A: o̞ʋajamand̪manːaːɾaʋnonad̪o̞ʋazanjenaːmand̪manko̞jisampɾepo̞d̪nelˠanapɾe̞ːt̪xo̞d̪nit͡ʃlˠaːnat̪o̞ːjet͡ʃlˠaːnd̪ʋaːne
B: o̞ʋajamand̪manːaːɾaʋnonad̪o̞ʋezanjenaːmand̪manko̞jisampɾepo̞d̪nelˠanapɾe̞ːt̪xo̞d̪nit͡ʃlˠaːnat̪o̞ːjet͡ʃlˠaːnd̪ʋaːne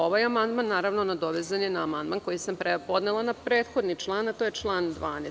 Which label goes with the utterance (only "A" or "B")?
B